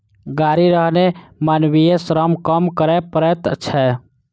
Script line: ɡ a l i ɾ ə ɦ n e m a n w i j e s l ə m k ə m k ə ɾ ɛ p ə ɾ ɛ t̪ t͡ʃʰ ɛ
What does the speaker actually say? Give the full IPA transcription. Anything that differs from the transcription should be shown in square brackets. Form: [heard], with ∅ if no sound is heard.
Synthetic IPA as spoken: ɡ a [ɾ] i ɾ ə ɦ n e m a n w i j e s [ɾ] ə m k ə m k ə ɾ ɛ p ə ɾ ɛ t̪ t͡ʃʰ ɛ